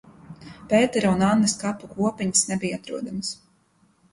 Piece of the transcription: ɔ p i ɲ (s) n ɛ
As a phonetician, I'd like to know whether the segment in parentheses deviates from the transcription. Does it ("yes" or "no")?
no